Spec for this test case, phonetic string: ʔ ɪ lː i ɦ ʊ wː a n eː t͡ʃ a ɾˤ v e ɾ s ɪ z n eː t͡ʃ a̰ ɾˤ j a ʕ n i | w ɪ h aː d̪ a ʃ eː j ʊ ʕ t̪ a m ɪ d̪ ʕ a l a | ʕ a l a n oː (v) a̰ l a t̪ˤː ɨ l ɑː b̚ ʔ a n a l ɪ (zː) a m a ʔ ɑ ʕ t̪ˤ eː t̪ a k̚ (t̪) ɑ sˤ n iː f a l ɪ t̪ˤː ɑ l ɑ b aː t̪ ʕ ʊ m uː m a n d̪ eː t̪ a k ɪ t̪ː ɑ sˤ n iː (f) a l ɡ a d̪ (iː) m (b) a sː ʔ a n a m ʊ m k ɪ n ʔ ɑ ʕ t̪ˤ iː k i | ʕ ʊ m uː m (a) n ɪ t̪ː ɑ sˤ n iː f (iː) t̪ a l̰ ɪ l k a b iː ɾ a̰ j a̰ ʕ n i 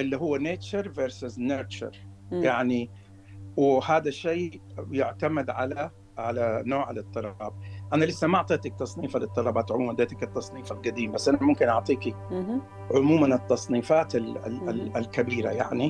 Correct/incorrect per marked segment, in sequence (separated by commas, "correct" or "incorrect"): incorrect, incorrect, correct, correct, correct, correct, correct, incorrect